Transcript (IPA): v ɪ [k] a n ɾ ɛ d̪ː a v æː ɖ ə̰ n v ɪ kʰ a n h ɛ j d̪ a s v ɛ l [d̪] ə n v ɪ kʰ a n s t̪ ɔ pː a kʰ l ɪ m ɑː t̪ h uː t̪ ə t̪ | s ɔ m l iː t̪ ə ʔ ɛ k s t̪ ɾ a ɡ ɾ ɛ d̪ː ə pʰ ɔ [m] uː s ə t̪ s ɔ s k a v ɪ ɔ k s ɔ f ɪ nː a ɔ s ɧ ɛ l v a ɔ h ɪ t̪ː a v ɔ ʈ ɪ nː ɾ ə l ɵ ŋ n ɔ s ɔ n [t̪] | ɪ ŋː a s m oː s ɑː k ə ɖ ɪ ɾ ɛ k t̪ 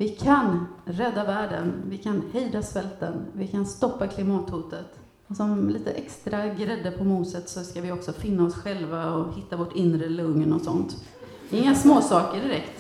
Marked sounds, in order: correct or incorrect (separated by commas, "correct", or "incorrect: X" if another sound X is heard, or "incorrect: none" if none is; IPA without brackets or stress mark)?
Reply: incorrect: kʰ, incorrect: t̪, correct, correct